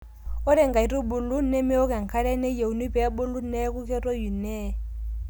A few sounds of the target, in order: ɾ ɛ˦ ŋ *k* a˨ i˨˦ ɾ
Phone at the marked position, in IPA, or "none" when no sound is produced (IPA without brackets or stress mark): ɡ